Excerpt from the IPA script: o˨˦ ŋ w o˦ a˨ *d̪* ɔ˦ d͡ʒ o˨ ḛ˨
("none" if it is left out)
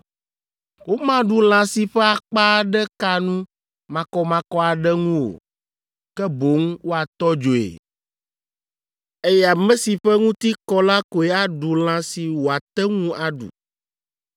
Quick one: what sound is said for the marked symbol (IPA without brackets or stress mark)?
t̪